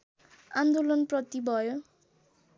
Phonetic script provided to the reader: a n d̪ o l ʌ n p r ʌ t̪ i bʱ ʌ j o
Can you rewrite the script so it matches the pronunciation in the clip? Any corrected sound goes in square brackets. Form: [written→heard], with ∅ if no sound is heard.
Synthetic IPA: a n d̪ o l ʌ n p r ʌ t̪ i bʱ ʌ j o